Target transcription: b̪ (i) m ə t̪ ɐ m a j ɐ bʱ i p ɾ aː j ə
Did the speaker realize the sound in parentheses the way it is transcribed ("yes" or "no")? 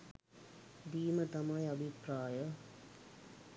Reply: no